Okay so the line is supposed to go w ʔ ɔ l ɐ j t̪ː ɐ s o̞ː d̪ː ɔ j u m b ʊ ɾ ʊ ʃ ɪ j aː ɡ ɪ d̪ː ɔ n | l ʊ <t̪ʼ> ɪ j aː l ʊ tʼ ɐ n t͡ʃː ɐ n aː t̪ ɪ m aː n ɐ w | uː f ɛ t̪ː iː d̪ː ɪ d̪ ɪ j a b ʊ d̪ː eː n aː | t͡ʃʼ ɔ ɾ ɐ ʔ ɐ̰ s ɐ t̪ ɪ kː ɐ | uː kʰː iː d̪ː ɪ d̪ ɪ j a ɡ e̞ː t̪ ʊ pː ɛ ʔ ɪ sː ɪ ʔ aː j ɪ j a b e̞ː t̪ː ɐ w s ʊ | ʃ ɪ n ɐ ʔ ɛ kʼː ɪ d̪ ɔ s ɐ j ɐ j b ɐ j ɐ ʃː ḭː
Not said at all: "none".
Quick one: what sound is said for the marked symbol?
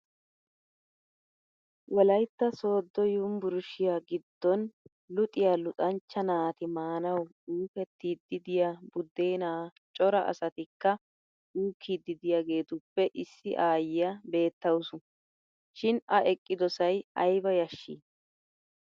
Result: t̪ʼ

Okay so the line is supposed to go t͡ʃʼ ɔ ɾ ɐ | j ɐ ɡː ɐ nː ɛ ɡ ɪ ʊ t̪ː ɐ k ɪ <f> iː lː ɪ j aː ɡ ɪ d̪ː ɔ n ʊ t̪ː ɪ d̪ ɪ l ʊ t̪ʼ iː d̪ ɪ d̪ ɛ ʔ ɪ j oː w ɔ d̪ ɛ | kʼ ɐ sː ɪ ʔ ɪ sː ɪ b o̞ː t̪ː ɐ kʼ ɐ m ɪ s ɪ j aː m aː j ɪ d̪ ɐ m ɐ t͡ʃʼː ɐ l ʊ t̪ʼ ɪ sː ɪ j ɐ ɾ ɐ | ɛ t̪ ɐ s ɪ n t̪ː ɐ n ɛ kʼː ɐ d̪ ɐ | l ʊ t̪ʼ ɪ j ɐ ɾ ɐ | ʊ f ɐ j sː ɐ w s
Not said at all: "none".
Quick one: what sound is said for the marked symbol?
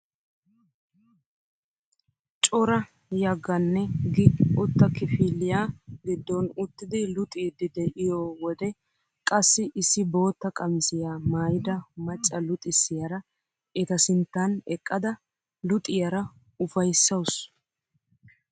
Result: f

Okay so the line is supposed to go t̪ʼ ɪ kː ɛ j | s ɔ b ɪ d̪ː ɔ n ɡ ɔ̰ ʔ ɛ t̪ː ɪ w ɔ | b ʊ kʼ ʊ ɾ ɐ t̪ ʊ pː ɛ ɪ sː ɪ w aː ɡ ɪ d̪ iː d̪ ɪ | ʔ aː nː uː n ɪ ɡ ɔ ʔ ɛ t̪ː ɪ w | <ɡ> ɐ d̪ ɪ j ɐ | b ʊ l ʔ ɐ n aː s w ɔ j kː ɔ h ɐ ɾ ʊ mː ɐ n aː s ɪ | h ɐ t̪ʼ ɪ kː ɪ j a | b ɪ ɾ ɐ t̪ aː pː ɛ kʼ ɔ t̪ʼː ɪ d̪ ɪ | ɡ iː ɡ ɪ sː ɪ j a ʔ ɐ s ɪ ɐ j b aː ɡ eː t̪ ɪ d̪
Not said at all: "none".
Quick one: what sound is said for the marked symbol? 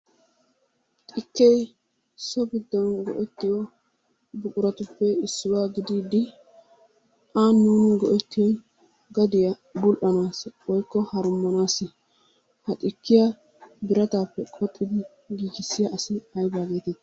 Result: ɡ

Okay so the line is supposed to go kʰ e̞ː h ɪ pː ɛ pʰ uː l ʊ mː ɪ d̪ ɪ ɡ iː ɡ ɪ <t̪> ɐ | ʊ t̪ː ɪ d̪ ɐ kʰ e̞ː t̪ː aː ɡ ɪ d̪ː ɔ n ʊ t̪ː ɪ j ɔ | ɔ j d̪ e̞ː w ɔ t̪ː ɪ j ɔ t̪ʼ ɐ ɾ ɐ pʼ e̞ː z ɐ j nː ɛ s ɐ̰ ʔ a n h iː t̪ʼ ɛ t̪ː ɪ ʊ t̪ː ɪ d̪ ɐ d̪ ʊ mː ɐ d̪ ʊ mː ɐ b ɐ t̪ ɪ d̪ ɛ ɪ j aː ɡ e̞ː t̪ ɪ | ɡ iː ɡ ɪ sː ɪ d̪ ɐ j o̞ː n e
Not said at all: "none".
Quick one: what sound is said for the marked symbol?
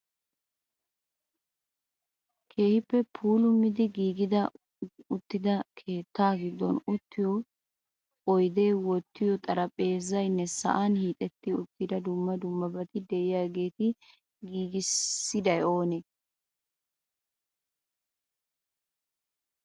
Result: d̪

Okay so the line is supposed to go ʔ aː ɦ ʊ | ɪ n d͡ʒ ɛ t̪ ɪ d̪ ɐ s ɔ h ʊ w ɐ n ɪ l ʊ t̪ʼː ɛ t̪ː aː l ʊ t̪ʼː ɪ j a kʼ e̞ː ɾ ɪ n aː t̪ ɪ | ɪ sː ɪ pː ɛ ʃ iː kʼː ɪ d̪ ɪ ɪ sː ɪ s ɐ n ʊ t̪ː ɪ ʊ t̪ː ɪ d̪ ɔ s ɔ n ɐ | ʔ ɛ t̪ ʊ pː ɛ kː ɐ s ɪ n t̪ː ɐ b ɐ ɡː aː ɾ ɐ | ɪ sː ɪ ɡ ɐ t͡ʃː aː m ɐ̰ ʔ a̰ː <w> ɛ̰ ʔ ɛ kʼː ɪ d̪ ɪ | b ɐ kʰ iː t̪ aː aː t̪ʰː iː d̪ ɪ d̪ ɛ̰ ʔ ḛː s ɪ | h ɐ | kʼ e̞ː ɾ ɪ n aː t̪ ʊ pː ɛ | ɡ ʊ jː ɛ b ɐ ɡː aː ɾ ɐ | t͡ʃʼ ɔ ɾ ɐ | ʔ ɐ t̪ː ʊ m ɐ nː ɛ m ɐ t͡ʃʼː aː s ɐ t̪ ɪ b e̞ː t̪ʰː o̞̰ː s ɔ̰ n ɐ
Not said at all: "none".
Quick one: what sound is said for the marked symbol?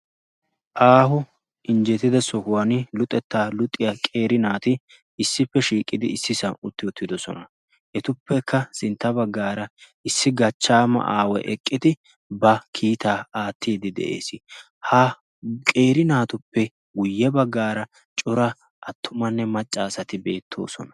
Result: w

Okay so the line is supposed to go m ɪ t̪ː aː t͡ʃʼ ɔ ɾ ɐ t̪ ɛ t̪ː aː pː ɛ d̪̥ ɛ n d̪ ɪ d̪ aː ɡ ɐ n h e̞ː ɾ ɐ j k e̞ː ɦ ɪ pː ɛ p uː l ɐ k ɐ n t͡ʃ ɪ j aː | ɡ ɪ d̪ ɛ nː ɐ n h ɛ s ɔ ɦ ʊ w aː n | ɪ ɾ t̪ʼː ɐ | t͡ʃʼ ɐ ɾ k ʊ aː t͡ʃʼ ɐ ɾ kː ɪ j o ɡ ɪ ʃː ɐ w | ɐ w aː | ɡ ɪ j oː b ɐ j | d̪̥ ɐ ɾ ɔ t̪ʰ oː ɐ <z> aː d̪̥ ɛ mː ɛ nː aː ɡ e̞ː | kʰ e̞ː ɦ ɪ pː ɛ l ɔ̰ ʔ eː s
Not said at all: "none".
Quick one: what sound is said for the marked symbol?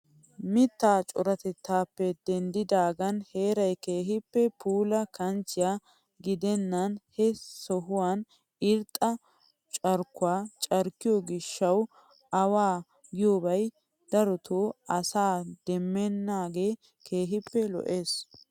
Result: s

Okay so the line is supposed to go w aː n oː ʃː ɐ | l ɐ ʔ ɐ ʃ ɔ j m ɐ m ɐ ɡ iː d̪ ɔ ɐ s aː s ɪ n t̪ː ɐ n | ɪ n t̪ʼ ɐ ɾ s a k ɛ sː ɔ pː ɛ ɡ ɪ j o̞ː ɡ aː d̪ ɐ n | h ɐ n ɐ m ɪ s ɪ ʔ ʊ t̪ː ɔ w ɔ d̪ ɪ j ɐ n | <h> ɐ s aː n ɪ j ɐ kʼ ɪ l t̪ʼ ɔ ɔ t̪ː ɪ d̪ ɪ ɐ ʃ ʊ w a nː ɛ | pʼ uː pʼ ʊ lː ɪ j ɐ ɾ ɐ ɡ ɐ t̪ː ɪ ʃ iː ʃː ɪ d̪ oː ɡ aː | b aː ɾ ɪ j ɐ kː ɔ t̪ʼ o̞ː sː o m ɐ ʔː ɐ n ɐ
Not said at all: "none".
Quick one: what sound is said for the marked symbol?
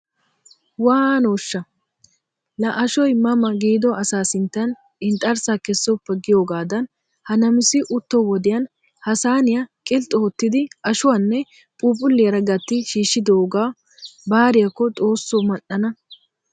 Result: h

